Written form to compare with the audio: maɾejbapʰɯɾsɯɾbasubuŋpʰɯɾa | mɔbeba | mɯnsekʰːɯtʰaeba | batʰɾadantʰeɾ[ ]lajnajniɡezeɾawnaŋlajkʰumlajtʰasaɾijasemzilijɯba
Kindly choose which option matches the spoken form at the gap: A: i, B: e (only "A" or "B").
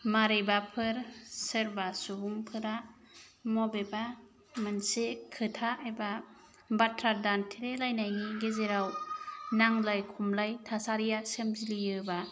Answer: B